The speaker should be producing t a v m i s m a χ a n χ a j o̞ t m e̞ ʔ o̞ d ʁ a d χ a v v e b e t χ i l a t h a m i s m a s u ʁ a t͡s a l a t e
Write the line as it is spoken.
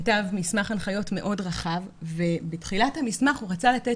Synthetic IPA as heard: t a v m i s m a χ a n χ a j o̞ t m e̞ ʔ o̞ d ʁ a χ a v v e b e t χ i l a t h a m i s m a χ u ʁ a t͡s a l a t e